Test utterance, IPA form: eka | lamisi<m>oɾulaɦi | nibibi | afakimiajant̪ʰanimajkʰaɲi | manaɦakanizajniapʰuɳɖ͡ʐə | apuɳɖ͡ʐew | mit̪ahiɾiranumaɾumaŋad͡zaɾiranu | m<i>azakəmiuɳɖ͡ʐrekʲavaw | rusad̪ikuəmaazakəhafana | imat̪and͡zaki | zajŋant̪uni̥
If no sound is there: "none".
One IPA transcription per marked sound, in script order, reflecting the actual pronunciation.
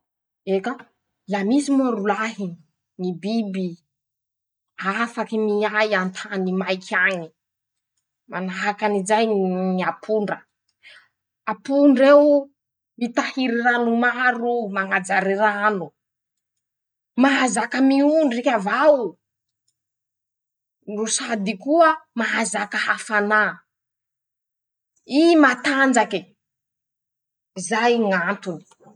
m, a

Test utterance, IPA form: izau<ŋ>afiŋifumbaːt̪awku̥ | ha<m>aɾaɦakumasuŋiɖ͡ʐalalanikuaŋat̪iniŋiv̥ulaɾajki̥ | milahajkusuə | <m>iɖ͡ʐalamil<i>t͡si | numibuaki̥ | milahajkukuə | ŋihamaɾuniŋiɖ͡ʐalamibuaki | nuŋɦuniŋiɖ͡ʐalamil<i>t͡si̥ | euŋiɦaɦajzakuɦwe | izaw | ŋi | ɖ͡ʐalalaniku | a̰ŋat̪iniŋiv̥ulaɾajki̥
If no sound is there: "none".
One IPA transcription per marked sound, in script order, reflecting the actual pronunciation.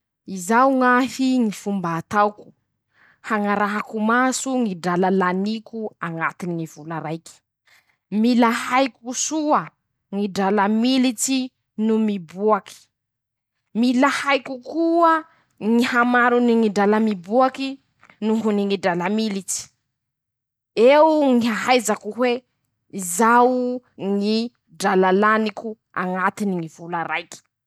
ŋ, ŋ, ŋ, i, i

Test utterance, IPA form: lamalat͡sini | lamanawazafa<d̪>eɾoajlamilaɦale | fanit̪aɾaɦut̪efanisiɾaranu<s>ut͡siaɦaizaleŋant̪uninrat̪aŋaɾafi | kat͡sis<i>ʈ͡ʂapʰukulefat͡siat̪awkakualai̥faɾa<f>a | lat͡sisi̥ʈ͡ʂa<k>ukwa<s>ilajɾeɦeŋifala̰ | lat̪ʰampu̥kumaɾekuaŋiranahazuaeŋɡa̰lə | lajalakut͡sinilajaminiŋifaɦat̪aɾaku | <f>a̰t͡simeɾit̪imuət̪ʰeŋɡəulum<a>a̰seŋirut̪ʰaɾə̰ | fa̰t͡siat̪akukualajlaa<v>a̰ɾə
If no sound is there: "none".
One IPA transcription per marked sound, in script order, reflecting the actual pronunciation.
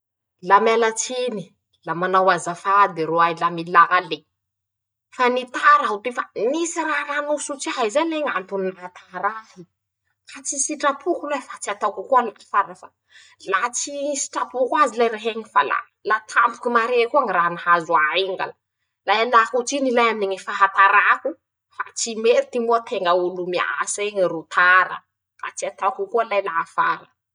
d̪, s, i, f, p, z, f, i, f

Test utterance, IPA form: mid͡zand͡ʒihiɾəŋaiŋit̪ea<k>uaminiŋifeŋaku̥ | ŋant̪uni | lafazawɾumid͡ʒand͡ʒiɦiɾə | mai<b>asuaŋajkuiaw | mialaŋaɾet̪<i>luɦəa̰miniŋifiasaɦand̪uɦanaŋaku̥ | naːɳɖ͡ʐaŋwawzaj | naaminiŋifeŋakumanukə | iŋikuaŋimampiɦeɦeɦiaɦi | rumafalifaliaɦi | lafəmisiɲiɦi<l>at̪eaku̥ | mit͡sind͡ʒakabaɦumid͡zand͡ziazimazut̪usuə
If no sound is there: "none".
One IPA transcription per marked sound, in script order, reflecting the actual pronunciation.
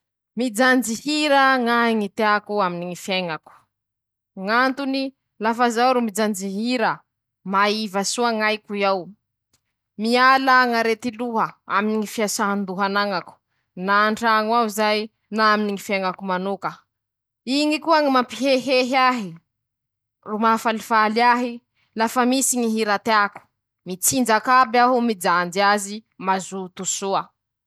k, v, i, ɾ

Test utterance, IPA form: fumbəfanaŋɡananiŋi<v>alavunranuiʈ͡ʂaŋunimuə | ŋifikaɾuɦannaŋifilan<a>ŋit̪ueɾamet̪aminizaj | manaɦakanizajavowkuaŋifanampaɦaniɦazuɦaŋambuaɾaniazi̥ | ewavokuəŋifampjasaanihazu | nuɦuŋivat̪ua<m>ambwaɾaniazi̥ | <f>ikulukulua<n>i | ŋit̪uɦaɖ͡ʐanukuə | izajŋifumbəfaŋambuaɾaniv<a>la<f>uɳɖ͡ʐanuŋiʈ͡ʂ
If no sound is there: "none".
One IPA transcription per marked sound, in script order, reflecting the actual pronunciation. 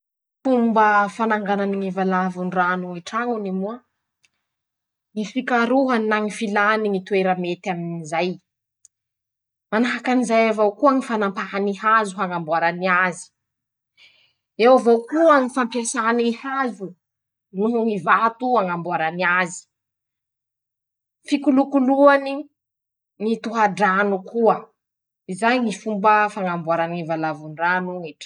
v, i, ŋ, f, n, a, v

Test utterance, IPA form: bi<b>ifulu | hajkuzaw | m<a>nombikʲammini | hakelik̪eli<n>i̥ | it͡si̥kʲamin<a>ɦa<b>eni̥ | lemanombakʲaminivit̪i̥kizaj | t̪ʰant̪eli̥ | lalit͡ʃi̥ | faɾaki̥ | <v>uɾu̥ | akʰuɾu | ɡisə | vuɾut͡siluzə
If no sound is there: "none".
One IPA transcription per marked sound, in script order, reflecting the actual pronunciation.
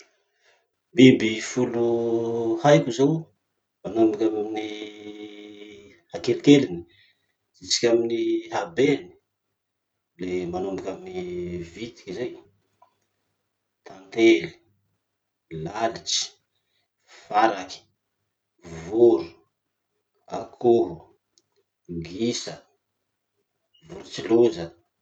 b, a, n, i, b, v

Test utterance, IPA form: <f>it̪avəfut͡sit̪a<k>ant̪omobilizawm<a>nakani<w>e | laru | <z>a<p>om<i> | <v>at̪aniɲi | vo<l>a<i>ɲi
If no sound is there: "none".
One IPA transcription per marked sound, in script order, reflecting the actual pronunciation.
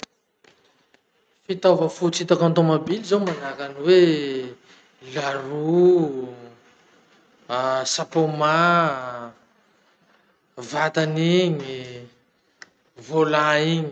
f, k, a, w, s, p, a, v, l, i

